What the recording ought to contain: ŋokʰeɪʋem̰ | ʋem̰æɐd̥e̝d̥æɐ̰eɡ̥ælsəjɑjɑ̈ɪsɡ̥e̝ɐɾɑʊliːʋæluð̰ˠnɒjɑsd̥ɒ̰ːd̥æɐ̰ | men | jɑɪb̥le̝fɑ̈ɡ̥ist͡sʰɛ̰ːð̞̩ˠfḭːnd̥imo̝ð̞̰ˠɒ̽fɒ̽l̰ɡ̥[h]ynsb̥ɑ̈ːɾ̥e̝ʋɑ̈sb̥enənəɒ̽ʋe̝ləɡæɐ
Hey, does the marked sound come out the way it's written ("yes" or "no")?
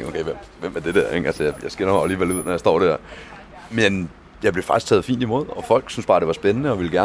no